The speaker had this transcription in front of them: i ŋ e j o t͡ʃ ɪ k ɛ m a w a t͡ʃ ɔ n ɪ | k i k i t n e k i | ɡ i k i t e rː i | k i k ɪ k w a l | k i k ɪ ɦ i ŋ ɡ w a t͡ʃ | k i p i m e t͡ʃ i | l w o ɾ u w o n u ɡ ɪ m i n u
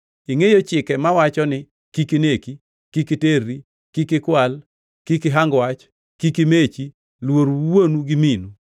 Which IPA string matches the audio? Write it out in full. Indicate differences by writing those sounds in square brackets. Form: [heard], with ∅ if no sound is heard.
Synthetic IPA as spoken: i ŋ e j o t͡ʃ ɪ k ɛ m a w a t͡ʃ ɔ n ɪ | k i k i [∅] n e k i | [k] i k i t e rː i | k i k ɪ k w a l | k i k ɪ ɦ [a] ŋ ɡ w a t͡ʃ | k i [k] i m e t͡ʃ i | l w o ɾ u w o n u ɡ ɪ m i n u